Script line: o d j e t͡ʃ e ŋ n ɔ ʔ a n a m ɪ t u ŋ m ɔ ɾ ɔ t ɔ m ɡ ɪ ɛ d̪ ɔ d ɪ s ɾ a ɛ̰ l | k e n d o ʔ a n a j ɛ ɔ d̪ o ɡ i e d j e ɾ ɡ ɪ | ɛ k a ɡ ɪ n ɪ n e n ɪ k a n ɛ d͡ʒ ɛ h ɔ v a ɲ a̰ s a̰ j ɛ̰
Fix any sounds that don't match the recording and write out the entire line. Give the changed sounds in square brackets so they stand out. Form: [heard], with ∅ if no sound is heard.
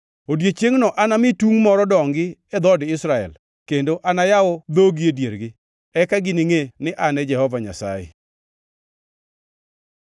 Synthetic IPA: o d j e t͡ʃ e ŋ n ɔ ʔ a n a m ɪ t u ŋ m ɔ ɾ ɔ [d] ɔ [ŋ] ɡ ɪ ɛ d̪ ɔ d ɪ s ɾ a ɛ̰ l | k e n d o ʔ a n a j [a] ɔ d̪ o ɡ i e d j e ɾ ɡ ɪ | ɛ k a ɡ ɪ n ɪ [ŋ] e n ɪ [ʔ] a n ɛ d͡ʒ ɛ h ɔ v a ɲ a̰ s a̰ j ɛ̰